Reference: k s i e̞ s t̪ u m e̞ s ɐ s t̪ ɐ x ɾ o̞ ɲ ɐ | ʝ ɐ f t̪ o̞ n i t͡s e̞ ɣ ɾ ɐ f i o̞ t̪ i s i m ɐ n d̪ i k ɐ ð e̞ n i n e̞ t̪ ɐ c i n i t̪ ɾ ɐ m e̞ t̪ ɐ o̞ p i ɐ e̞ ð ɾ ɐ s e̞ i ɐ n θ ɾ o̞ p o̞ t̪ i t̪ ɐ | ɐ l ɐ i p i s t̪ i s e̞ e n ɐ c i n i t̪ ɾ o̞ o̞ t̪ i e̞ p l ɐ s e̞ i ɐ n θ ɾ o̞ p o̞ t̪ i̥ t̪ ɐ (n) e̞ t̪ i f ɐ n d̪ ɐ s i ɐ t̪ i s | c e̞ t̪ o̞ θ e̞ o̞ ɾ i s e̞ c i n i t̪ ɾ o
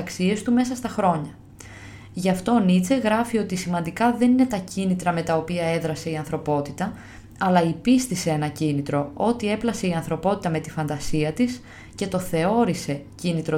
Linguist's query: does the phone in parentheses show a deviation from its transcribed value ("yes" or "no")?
yes